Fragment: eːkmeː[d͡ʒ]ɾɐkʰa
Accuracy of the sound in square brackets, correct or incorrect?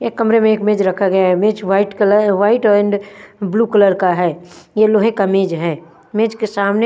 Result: correct